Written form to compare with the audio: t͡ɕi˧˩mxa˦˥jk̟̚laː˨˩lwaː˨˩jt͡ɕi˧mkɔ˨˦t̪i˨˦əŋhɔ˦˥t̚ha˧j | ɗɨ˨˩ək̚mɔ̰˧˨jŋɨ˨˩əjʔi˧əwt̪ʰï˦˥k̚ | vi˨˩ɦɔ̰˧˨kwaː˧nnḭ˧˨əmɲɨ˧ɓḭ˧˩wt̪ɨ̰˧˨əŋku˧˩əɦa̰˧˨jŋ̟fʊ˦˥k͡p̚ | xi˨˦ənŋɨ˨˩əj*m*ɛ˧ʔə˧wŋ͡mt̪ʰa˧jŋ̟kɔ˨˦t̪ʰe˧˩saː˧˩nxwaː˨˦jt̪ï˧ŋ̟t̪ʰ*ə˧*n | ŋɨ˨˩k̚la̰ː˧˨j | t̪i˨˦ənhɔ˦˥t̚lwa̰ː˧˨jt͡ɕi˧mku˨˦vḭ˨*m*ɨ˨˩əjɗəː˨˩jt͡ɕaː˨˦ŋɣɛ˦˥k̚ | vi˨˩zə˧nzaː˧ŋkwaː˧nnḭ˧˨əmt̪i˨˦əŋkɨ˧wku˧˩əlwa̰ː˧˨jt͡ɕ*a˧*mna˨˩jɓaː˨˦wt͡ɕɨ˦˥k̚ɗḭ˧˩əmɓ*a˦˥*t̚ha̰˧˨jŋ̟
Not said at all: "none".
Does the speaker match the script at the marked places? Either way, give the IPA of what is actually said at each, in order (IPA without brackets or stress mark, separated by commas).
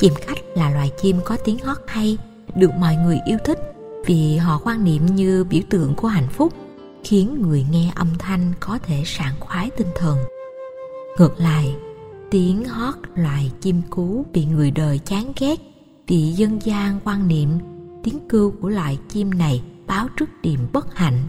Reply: ŋ, ə˨˩, ŋ, i˧, ə˦˥